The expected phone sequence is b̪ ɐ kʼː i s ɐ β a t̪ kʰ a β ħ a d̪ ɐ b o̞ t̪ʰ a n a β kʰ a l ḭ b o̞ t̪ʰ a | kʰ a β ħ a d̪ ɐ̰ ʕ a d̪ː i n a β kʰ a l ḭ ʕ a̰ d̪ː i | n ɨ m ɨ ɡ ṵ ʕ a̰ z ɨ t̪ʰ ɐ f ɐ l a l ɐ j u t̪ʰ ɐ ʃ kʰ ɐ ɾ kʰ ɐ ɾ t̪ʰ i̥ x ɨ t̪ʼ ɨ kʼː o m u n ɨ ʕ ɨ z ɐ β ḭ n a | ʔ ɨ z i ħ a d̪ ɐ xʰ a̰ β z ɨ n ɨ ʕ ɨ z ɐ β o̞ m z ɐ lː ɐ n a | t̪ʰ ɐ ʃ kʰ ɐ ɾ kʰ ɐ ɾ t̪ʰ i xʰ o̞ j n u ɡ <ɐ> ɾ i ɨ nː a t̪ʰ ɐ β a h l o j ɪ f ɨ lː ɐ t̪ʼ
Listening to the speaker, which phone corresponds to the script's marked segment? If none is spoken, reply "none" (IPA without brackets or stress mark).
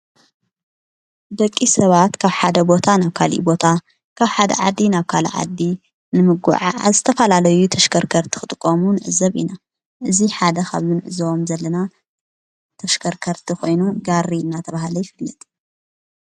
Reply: a